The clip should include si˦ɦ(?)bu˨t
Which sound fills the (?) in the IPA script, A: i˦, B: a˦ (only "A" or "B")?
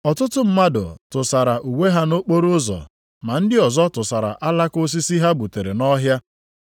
B